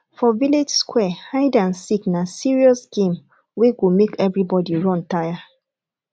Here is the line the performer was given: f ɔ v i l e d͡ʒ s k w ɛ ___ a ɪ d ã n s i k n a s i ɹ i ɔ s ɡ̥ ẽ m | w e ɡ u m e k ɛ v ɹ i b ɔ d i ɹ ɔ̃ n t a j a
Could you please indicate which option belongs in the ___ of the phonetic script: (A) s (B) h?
B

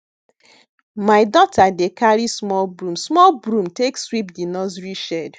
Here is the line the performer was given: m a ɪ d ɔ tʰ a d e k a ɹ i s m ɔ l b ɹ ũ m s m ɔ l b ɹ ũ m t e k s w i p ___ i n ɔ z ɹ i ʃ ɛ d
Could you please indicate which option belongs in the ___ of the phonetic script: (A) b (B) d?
B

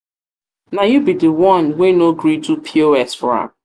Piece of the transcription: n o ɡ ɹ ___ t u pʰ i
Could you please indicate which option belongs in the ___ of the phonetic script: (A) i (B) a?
A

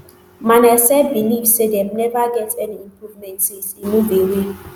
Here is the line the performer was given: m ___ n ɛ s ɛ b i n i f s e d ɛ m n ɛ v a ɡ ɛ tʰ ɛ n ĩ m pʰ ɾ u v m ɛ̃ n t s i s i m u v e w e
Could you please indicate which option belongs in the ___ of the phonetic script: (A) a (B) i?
A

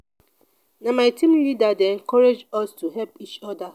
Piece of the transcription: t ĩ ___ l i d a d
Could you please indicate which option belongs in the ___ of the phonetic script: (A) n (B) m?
B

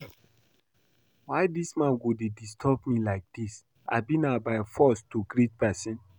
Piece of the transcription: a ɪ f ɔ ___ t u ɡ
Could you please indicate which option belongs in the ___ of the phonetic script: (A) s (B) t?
A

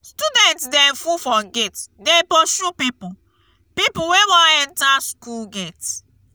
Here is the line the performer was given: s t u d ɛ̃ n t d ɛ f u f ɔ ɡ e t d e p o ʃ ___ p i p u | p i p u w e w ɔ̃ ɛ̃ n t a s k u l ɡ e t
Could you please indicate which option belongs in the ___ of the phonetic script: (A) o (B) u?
B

